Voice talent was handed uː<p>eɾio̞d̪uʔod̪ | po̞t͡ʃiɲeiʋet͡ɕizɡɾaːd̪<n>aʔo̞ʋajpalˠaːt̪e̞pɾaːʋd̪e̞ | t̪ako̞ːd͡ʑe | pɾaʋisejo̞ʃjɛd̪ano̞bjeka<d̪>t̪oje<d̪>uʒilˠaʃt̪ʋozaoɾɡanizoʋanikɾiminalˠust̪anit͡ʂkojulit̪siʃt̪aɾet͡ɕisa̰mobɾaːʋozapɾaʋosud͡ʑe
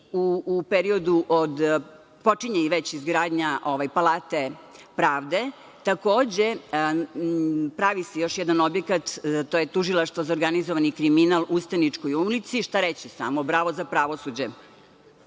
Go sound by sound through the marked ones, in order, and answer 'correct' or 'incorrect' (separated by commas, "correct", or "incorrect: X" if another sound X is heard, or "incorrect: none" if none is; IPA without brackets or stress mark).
correct, incorrect: ɲ, incorrect: t̪, incorrect: t̪